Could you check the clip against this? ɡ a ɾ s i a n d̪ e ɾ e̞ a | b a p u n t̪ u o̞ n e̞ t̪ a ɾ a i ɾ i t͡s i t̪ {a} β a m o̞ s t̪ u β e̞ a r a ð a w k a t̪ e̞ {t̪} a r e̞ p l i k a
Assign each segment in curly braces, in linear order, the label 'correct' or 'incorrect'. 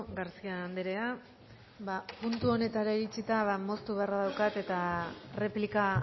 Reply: correct, correct

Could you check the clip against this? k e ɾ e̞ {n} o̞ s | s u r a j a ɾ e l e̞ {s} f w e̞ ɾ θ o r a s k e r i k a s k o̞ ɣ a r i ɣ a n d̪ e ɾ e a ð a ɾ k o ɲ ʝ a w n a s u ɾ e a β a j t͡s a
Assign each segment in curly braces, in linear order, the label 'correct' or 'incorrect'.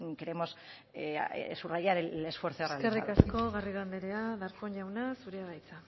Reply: incorrect, correct

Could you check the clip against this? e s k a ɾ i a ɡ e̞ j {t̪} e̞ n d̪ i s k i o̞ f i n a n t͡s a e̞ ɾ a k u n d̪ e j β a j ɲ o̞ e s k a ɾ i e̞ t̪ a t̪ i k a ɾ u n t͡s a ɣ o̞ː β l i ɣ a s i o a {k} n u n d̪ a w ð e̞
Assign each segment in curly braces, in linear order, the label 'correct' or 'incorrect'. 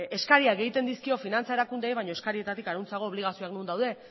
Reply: correct, correct

